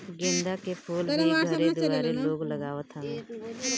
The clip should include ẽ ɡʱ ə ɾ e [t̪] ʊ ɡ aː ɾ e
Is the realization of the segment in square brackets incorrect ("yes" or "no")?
yes